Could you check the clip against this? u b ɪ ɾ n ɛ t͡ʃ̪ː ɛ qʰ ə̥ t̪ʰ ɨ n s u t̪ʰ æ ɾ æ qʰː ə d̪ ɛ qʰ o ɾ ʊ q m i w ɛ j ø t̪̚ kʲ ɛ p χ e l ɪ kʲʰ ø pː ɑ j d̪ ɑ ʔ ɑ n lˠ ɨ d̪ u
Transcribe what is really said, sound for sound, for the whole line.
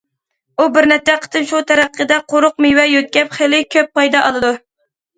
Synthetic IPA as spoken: u b ɪ ɾ n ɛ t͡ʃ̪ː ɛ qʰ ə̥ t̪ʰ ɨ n ʃ u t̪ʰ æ ɾ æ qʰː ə d̪ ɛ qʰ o ɾ ʊ q m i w ɛ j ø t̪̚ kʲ ɛ p χ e l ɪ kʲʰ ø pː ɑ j d̪ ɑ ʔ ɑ lˠ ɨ d̪ u